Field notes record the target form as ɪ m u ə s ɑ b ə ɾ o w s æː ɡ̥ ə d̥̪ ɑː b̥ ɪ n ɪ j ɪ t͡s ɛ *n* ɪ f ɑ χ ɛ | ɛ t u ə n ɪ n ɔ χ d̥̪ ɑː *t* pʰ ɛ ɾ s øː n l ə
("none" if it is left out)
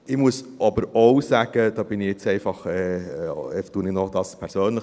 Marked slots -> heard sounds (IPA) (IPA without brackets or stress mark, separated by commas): none, s